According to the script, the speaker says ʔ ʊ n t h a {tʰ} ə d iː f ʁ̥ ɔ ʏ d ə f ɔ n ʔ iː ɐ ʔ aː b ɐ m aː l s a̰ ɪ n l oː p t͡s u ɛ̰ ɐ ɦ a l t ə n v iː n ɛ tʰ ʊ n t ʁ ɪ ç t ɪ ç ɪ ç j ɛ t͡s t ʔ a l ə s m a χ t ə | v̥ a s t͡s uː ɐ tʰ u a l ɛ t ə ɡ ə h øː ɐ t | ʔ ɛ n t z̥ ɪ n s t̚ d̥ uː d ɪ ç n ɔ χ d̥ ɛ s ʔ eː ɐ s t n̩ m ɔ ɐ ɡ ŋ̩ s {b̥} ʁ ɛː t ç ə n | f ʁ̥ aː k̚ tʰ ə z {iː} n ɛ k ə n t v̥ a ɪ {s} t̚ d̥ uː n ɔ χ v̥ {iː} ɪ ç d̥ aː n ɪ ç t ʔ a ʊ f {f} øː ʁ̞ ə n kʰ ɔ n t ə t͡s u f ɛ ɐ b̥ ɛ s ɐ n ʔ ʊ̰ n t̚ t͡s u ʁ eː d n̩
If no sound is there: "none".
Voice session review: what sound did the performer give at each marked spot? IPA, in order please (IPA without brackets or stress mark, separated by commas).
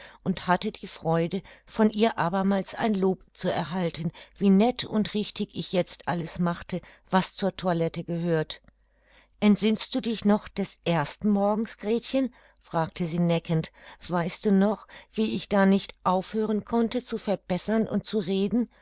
t, ɡ̥, iː, s, iː, h